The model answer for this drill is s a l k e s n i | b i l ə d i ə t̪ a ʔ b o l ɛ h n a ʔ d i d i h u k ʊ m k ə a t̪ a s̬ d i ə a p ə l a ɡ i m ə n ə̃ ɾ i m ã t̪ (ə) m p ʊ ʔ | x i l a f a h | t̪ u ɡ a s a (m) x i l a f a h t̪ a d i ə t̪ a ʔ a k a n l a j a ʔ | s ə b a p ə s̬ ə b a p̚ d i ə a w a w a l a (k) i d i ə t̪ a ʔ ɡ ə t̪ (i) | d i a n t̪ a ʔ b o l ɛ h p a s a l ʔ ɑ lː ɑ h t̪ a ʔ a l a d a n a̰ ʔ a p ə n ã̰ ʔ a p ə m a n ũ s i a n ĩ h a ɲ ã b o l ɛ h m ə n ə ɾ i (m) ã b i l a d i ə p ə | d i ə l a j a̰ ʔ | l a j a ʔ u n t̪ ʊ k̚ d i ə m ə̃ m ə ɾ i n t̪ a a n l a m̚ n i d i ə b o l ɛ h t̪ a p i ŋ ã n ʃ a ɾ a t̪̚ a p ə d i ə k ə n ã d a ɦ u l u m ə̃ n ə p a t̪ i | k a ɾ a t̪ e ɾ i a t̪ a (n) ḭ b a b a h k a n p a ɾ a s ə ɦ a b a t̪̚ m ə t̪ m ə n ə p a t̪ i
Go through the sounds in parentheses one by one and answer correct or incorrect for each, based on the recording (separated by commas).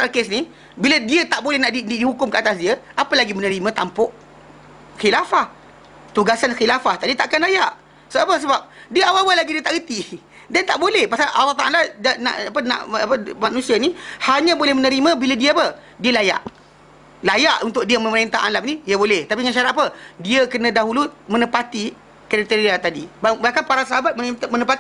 incorrect, incorrect, incorrect, correct, correct, incorrect